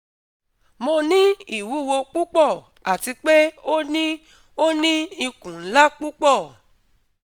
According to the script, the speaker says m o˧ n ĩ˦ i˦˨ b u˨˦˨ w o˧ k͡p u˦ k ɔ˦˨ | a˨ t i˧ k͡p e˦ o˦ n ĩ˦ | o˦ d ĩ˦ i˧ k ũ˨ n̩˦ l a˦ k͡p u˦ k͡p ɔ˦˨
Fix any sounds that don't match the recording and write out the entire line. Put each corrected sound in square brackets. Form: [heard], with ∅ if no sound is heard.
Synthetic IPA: m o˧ n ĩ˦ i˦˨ [w] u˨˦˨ w o˧ k͡p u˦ [k͡p] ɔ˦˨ | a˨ t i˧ k͡p e˦ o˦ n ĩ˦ | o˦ [n] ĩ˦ i˧ k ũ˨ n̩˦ l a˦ k͡p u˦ k͡p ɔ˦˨